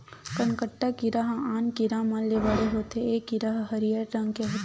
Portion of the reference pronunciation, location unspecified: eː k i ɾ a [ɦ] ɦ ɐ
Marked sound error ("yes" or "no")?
no